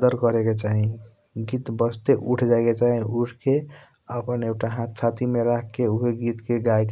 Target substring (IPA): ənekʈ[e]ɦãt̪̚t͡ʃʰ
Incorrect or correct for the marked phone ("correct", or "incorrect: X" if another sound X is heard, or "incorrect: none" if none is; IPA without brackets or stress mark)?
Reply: incorrect: a